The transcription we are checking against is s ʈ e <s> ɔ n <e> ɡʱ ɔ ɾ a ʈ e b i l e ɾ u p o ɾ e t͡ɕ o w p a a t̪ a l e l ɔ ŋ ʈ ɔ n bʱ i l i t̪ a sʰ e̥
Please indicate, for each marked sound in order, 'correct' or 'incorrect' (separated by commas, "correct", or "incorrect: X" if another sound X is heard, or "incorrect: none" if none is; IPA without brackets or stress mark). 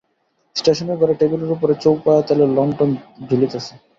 incorrect: ʃ, correct